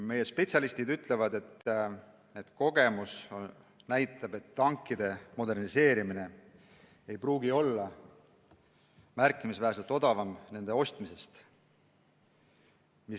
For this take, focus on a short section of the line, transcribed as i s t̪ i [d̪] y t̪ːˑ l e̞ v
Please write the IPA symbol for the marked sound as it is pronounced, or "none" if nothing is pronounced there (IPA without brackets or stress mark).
d̪